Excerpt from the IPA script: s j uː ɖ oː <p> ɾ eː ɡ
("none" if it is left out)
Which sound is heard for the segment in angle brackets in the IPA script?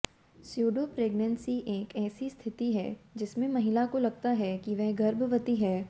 p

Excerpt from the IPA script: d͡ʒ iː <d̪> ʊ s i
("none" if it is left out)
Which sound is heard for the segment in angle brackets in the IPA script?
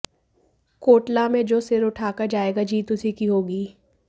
t̪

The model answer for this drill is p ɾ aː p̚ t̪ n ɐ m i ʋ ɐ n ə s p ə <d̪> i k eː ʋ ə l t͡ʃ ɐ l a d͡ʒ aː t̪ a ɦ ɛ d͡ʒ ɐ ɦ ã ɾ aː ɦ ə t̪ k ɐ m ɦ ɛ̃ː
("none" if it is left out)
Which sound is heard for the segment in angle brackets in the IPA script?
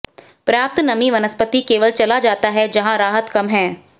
t̪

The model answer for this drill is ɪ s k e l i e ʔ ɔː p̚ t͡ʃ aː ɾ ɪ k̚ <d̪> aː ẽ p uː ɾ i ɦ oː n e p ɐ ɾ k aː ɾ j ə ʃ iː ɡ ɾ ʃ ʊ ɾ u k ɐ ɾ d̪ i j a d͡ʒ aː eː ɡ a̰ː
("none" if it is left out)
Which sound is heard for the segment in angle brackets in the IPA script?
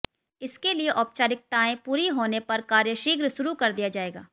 t̪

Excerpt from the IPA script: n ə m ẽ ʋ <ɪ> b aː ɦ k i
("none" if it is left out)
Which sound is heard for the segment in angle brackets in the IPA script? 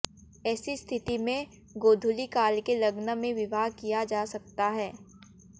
ɪ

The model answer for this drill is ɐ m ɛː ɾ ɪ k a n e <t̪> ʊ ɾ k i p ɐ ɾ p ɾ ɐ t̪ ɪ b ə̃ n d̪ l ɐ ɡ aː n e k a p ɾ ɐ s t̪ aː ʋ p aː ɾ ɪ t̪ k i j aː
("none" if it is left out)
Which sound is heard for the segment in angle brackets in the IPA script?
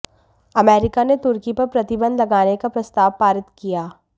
t̪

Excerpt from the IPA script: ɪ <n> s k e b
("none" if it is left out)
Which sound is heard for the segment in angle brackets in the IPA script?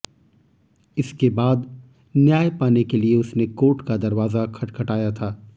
none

